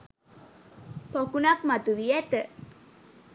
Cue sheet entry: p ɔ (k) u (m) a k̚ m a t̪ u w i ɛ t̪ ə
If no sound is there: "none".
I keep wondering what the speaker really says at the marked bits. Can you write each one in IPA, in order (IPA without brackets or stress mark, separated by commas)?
k, n